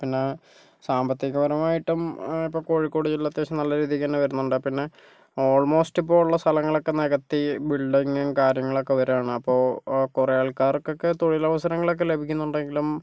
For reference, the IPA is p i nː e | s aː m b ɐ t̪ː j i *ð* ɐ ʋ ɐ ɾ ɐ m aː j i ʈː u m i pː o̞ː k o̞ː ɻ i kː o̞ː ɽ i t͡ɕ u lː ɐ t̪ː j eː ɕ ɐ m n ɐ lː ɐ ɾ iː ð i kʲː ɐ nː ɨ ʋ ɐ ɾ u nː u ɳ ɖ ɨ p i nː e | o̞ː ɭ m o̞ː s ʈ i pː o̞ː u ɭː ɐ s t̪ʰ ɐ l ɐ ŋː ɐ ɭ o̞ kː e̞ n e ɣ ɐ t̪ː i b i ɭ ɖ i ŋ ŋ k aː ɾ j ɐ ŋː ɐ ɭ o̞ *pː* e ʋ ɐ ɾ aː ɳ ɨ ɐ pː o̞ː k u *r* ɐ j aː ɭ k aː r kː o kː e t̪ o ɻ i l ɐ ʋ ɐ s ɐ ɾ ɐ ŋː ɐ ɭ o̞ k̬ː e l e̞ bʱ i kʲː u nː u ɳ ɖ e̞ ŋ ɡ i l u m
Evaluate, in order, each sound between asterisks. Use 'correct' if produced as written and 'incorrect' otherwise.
incorrect: ɣ, incorrect: kː, correct

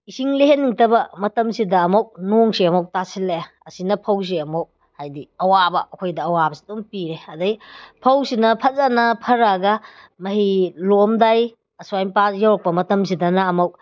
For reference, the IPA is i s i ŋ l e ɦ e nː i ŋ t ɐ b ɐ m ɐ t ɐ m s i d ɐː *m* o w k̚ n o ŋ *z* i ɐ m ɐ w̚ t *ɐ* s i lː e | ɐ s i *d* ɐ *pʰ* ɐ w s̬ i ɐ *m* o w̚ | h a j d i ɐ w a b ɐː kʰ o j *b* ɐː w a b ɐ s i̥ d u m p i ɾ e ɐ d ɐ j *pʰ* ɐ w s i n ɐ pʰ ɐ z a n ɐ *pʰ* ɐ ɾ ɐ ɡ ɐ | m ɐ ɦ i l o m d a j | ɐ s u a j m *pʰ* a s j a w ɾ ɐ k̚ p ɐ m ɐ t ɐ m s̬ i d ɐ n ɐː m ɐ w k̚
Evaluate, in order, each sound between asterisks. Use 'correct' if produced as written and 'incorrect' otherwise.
correct, incorrect: s, incorrect: a, incorrect: n, correct, correct, incorrect: d, correct, correct, incorrect: p

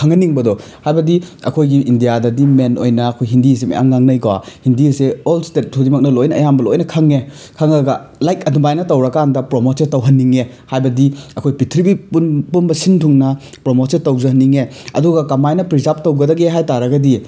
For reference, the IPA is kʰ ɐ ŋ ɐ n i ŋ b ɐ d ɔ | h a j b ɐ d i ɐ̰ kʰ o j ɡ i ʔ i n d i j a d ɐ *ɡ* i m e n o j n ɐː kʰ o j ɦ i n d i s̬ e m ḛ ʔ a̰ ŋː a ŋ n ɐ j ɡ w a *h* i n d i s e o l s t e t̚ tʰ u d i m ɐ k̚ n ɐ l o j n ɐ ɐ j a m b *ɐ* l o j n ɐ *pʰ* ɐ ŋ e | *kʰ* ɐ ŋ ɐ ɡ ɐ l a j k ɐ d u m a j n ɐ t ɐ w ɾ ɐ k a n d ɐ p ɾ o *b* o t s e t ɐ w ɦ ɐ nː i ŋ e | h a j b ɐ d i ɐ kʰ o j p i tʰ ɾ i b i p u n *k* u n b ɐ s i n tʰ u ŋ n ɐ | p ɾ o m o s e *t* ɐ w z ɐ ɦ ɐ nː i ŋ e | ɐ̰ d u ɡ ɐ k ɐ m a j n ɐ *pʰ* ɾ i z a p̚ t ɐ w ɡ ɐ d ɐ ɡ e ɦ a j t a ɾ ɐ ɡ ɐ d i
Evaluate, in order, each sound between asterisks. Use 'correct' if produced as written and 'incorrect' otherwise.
incorrect: d, correct, correct, incorrect: kʰ, correct, incorrect: m, incorrect: p, correct, incorrect: p

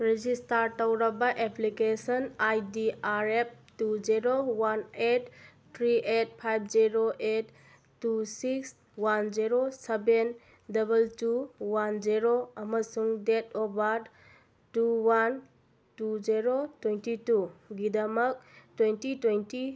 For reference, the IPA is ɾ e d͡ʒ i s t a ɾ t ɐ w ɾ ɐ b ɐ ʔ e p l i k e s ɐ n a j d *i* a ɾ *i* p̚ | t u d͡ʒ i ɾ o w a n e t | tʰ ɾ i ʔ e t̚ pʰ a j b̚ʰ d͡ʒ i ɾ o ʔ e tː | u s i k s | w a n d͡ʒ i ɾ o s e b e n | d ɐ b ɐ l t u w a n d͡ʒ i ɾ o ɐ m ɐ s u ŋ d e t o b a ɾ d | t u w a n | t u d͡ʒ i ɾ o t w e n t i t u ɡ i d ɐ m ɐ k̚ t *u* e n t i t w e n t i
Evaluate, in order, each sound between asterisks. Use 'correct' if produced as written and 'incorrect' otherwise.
correct, incorrect: e, incorrect: w

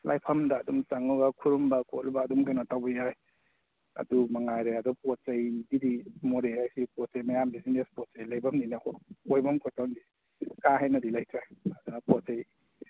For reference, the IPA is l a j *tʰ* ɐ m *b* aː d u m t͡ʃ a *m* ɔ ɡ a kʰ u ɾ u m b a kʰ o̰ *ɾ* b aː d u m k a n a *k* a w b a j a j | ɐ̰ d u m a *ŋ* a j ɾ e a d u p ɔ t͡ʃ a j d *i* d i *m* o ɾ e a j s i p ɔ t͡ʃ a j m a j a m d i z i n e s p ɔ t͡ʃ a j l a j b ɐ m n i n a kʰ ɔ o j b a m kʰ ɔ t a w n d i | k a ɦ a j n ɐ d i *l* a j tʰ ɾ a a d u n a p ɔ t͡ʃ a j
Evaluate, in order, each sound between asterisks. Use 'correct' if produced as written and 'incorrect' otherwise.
incorrect: pʰ, incorrect: d, incorrect: ŋ, incorrect: l, incorrect: t, correct, correct, correct, correct

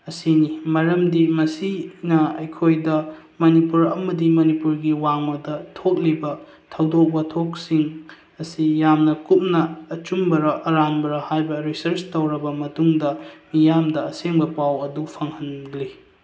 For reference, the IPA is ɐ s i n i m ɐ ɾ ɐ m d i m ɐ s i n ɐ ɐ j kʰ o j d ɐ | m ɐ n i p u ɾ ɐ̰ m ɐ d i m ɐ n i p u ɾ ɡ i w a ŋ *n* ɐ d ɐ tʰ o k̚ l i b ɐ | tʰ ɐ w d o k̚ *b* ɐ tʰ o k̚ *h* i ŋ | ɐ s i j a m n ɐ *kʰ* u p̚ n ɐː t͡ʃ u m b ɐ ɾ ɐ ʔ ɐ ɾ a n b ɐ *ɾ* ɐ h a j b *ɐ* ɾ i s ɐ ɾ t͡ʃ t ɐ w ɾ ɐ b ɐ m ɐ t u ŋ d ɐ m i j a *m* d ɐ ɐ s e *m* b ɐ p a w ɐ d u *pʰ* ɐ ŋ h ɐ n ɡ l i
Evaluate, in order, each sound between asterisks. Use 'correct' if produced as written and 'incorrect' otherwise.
incorrect: m, correct, incorrect: s, incorrect: k, correct, correct, correct, incorrect: ŋ, correct

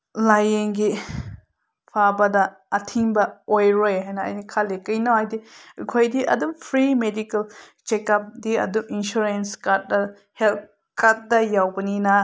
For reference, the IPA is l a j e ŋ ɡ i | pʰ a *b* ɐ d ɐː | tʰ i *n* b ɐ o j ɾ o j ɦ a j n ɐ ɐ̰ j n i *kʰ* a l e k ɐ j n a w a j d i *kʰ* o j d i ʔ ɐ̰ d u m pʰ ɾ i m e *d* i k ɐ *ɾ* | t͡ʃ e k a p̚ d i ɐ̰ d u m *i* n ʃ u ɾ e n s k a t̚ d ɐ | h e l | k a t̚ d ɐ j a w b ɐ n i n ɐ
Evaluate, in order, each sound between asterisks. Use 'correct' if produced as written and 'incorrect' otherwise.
correct, incorrect: ŋ, correct, correct, correct, incorrect: l, correct

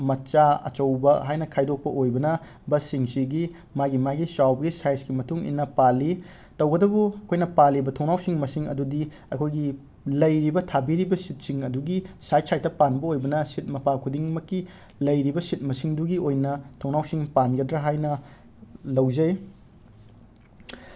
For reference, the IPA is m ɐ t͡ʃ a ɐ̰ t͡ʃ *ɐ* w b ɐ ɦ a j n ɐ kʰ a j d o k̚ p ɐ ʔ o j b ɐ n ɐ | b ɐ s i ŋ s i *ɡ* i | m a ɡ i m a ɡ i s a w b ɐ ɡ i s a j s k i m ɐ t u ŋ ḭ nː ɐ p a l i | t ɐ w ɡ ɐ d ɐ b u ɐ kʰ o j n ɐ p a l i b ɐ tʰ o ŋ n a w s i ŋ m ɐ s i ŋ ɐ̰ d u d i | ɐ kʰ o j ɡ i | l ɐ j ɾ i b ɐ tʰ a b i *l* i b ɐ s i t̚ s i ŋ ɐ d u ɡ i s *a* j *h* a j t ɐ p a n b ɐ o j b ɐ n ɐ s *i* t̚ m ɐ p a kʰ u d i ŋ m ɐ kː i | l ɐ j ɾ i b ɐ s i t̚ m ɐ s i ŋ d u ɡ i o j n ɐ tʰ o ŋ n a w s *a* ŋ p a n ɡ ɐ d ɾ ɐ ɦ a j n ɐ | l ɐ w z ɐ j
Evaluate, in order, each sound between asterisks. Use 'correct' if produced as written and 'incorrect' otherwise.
correct, correct, incorrect: ɾ, correct, incorrect: s, correct, incorrect: i

